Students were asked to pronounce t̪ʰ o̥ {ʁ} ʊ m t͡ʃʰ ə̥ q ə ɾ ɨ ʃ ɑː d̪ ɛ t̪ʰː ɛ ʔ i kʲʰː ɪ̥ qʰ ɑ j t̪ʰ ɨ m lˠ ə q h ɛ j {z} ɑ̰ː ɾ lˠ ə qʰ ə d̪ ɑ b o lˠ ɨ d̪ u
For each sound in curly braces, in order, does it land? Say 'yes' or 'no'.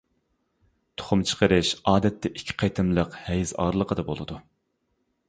no, yes

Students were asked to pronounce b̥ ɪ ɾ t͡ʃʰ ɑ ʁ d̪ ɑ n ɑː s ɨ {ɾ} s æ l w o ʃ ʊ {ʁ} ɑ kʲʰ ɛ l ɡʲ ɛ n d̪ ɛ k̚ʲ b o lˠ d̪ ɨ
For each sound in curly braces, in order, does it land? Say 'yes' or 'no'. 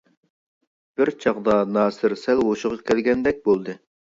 yes, yes

